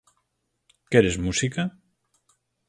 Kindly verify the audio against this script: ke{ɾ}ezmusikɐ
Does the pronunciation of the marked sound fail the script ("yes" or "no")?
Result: no